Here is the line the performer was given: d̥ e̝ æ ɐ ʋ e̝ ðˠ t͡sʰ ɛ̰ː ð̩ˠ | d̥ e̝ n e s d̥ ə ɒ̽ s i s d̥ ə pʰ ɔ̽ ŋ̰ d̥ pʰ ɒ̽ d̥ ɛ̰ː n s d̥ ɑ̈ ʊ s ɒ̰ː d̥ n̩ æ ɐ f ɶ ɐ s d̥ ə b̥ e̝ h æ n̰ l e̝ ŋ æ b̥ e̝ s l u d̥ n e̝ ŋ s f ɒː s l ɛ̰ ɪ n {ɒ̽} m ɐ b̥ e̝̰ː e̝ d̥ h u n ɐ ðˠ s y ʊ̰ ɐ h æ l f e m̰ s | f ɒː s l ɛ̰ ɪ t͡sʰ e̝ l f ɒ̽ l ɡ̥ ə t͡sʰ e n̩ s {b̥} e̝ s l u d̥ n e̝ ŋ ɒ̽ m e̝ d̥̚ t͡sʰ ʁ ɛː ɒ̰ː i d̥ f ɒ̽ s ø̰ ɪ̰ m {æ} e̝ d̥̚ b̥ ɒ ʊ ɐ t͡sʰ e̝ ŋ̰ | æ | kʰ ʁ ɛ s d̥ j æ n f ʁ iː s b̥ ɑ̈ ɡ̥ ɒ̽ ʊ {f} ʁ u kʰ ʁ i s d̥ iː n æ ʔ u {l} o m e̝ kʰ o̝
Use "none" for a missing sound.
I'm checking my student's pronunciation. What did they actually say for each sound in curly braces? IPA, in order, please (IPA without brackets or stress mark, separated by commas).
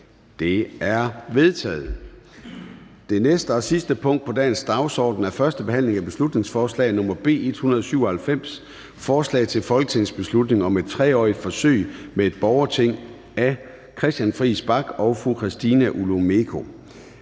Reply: ɔ̽, b̥, e, f, l